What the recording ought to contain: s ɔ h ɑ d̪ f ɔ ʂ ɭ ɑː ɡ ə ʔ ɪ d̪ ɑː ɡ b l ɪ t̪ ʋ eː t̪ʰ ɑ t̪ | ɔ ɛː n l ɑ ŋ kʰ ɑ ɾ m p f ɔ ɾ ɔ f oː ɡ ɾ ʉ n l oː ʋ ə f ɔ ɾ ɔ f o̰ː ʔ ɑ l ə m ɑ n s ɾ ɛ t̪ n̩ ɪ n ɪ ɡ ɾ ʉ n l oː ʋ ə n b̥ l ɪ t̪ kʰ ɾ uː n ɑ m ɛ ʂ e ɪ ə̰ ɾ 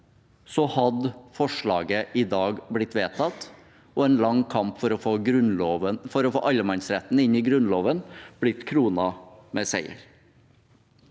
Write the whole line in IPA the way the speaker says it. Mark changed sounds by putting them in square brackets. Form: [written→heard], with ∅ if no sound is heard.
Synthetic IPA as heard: s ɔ h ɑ d̪ f ɔ ʂ ɭ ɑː ɡ ə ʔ ɪ d̪ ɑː ɡ b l ɪ t̪ ʋ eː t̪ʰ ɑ t̪ | ɔ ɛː n l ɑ ŋ kʰ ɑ [ɾ→∅] m p f ɔ ɾ ɔ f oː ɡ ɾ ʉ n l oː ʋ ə f ɔ ɾ ɔ f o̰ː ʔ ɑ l ə m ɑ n s ɾ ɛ t̪ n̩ ɪ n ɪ ɡ ɾ ʉ n l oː ʋ ə n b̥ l ɪ t̪ kʰ ɾ uː n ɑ m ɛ [ʂ→s] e ɪ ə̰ ɾ